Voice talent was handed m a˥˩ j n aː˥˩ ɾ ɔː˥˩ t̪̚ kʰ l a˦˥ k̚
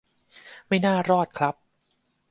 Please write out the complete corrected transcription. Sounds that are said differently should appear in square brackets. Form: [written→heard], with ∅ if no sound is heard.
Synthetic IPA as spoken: m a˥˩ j n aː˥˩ ɾ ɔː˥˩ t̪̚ kʰ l a˦˥ [k̚→p̚]